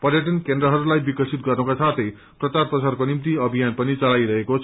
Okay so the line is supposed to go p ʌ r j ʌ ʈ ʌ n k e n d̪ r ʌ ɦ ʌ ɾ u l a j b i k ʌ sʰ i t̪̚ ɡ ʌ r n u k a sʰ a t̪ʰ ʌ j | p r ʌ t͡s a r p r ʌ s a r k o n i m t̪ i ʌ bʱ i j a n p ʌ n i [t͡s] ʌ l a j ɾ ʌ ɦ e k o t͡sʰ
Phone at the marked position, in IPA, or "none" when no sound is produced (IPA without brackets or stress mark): t͡s